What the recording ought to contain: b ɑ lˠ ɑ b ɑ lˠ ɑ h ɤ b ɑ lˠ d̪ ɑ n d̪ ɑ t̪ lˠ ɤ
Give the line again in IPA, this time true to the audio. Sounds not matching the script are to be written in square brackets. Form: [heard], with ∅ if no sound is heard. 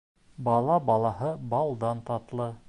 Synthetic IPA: b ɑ lˠ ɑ b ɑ lˠ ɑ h ɤ b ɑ lˠ d̪ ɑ n [t̪] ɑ t̪ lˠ ɤ